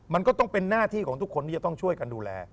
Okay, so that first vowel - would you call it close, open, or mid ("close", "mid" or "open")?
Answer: open